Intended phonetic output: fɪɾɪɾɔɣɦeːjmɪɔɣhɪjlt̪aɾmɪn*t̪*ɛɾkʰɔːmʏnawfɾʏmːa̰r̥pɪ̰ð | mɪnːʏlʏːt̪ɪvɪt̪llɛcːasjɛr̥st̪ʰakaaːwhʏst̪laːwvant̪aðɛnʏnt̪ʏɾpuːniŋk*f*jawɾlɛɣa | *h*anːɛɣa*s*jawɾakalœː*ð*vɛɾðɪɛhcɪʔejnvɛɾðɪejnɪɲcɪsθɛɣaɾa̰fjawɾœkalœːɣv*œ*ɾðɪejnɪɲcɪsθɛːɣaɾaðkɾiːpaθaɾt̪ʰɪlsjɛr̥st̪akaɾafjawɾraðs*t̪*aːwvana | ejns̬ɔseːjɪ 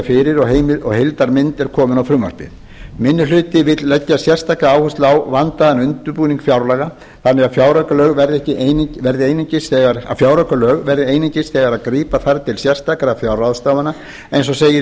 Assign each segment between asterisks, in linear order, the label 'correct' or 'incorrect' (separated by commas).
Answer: correct, correct, incorrect, incorrect, incorrect, incorrect, correct